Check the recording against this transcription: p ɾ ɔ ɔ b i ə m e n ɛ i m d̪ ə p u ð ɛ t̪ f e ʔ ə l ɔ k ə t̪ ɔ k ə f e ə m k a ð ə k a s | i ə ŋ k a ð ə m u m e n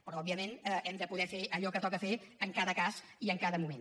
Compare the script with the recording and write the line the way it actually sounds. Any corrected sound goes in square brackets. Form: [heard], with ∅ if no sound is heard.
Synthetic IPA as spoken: p ɾ ɔ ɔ b i ə m e n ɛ [ɛ] m d̪ ə p u ð ɛ [∅] f e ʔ ə [ʎ] ɔ k ə t̪ ɔ k ə f e ə [ŋ] k a ð ə k a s | i ə ŋ k a ð ə m u m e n

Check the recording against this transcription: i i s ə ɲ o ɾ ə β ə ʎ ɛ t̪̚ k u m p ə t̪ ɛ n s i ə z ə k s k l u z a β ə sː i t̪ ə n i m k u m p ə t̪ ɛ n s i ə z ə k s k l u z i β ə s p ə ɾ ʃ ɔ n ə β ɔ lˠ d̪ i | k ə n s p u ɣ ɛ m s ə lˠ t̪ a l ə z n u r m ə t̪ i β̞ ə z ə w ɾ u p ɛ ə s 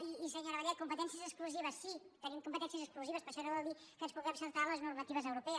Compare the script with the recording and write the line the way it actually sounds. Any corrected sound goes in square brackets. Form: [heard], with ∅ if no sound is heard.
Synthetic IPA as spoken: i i s ə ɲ o ɾ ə β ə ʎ ɛ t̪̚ k u m p ə t̪ ɛ n s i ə z ə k s k l u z [i] β ə sː i t̪ ə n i m k u m p ə t̪ ɛ n s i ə z ə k s k l u z i β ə s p ə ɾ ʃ ɔ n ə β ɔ lˠ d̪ i | k ə n s p u ɣ ɛ m s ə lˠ t̪ a l ə z n u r m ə t̪ i β̞ ə z ə w ɾ u p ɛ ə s

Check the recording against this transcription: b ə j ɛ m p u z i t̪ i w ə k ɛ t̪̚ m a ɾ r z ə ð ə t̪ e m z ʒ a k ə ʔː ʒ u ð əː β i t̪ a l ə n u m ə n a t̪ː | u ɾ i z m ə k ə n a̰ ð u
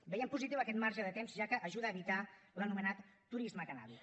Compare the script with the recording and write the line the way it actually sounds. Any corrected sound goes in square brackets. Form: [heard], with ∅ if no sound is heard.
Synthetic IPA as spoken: b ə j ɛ m p u z i t̪ i w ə k ɛ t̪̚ m a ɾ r [ʒ] ə ð ə t̪ e m z ʒ a k ə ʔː ʒ u ð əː β i t̪ a l ə n u m ə n a t̪ː | u ɾ i z m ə k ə n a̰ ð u

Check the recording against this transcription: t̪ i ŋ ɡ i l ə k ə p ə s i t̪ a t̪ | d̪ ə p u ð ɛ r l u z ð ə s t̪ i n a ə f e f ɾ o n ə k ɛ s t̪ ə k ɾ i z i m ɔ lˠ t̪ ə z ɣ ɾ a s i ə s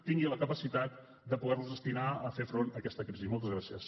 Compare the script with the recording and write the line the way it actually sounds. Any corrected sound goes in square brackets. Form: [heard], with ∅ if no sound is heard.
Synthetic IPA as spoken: t̪ i ŋ ɡ i l ə k ə p ə s i t̪ a t̪ | d̪ ə p u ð ɛ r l u z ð ə s t̪ i n a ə f e f ɾ o n ə k ɛ s t̪ ə k ɾ i z i m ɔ lˠ t̪ ə z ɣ ɾ a s i ə s

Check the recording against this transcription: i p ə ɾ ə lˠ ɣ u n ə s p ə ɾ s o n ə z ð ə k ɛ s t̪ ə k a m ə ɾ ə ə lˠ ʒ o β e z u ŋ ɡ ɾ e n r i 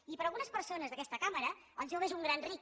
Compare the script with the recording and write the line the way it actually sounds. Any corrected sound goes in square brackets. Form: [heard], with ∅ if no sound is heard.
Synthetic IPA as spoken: i p ə ɾ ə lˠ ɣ u n ə s p ə ɾ s o n ə z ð ə k ɛ s t̪ ə k a m ə ɾ ə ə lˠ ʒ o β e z u ŋ ɡ ɾ [a] n r i

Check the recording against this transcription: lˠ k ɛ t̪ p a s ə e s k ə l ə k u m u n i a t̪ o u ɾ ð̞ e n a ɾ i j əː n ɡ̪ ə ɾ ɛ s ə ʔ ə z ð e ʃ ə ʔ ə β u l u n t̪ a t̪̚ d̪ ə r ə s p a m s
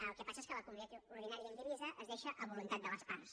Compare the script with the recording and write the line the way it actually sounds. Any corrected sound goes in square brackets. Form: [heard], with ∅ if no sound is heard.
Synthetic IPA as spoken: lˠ k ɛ [∅] p a s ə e s k ə l ə k u m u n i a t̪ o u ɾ ð̞ [i] n a ɾ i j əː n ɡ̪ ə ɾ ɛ [z] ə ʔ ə z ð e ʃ ə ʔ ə β u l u n t̪ a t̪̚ d̪ ə [l] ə s p a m s

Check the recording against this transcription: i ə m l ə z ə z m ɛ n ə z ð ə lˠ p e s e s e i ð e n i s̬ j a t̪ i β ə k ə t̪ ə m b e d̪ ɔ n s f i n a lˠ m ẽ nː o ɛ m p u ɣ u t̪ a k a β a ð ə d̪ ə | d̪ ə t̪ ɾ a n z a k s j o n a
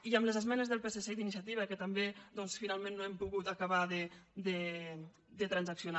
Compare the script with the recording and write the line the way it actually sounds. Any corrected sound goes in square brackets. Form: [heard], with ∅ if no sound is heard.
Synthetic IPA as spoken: i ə m l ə z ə z m ɛ n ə z ð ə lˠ p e s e s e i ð [i] n i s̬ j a t̪ i β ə k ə t̪ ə m b e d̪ ɔ n s f i n a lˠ m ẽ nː o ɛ m p u ɣ u t̪ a k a β a ð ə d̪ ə | d̪ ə t̪ ɾ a n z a k s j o n a

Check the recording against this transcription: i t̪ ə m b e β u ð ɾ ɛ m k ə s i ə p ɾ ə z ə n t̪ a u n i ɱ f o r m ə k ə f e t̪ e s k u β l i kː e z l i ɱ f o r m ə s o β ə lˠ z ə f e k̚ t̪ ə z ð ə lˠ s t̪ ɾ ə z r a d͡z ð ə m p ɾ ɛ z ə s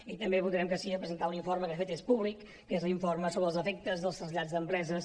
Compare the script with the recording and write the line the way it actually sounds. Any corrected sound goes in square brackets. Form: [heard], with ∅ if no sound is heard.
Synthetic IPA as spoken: i t̪ ə m b e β u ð ɾ ɛ m k ə s i ə p ɾ ə z ə n t̪ a u n i ɱ f o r m ə k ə f e t̪ e s [p] u β l i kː e z l i ɱ f o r m ə s o β ə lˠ z ə f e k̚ t̪ ə z ð ə lˠ s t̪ ɾ ə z [ʎ] a d͡z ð ə m p ɾ ɛ z ə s

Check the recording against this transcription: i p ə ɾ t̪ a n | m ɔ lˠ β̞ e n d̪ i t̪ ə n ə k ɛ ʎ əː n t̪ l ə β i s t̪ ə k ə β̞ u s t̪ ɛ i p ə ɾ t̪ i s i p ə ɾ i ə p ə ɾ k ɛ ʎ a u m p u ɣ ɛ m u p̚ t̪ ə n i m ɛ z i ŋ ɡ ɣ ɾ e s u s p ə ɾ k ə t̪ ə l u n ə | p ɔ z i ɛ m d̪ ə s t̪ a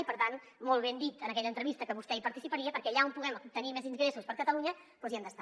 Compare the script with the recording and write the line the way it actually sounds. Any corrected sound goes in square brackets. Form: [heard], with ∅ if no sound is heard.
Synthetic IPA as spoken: i p ə ɾ t̪ a n | m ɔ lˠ β̞ e n d̪ i t̪ ə n ə k ɛ ʎ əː n t̪ [ɾ] ə β i s t̪ ə k ə β̞ u s t̪ ɛ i p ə ɾ t̪ i s i p ə ɾ i ə p ə ɾ k ɛ ʎ a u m p u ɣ ɛ m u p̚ t̪ ə n i m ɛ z i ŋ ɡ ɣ ɾ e s u s p ə ɾ k ə t̪ ə l u [ɲ] ə | p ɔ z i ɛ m d̪ ə s t̪ a

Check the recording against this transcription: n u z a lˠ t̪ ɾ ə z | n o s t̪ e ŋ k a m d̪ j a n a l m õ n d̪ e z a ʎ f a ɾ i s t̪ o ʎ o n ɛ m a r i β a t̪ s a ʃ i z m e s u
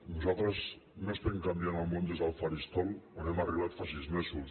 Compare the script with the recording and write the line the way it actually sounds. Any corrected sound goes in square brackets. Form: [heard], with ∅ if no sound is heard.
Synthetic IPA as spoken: n u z a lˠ t̪ ɾ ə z | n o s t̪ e ŋ k a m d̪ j a n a l m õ n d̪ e z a [l] f a ɾ i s t̪ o [l] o n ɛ m a r i β a t̪ [f] a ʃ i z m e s u

